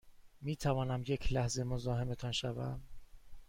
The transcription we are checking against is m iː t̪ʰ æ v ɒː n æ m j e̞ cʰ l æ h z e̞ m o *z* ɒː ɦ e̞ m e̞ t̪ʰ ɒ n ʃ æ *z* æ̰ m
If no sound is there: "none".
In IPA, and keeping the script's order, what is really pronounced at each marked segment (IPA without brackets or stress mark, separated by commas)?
z, v